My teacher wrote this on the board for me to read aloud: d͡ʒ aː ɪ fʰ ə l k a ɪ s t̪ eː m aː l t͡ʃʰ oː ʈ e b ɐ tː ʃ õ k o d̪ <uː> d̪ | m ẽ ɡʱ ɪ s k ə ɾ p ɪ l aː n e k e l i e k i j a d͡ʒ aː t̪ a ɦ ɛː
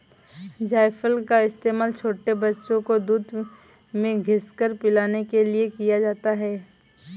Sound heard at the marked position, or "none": uː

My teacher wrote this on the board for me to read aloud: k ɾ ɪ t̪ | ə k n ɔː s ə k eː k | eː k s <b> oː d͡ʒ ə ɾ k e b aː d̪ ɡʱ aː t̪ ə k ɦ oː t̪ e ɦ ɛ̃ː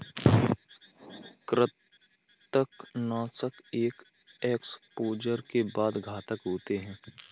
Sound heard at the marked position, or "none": p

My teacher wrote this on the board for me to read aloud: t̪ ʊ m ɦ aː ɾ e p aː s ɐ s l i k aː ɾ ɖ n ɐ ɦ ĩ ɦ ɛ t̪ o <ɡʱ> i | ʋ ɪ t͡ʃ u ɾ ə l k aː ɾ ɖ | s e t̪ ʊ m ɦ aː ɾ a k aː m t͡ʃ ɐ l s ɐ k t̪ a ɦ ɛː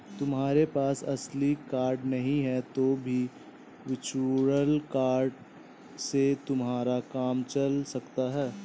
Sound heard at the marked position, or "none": bʱ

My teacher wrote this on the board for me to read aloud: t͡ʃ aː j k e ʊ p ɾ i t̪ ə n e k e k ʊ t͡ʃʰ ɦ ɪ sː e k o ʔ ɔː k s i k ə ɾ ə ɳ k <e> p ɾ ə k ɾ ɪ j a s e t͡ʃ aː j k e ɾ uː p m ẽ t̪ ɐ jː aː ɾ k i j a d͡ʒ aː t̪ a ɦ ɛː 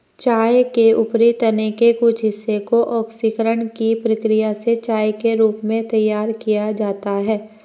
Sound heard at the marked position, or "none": i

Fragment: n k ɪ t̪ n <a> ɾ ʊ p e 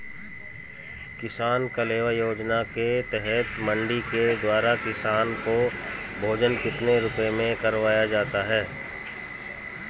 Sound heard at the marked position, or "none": e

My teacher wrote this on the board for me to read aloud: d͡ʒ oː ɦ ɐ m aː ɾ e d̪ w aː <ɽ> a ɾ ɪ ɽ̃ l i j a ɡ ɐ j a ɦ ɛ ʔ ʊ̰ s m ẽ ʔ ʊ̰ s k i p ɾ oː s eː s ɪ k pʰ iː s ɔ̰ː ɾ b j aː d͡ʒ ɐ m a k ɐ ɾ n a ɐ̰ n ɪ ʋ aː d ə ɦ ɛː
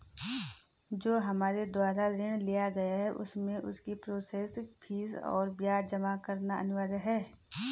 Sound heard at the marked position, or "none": ɾ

